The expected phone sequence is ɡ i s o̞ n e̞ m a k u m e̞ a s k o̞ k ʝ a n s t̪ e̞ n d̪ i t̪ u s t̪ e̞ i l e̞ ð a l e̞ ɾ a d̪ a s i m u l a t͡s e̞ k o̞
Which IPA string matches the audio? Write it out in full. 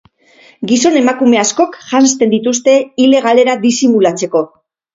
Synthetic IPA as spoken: ɡ i s o̞ n e̞ m a k u m e̞ a s k o̞ k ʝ a n s t̪ e̞ n d̪ i t̪ u s t̪ e̞ i l e̞ ɣ a l e̞ ɾ a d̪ i s i m u l a t͡s e̞ k o̞